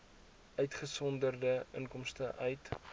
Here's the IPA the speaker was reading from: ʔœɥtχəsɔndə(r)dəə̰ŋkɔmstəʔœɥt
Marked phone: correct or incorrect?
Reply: correct